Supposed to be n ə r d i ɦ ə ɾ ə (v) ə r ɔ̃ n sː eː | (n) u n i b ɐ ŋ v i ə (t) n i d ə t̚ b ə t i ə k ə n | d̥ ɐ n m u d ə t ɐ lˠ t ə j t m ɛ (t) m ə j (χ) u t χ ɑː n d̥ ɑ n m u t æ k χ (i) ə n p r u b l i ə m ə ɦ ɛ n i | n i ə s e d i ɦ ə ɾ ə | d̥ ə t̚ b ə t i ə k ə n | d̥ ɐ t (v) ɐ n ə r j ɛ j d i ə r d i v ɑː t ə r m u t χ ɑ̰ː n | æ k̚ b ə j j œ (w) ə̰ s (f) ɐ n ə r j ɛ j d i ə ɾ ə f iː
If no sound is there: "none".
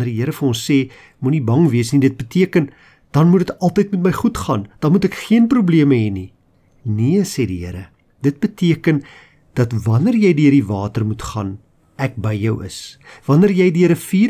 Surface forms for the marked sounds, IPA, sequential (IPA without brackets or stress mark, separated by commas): f, m, s, t, χ, i, v, w, v